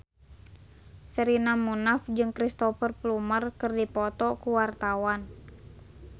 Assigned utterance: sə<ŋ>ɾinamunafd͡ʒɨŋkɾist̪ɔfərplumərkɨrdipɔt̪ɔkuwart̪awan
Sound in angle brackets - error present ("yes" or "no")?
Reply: yes